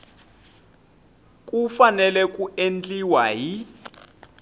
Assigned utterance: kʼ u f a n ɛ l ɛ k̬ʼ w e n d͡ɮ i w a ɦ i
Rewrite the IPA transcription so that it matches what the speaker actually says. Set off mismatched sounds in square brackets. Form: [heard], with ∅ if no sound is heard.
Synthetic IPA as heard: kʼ u f a n ɛ l ɛ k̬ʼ [u] e n d͡ɮ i w a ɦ i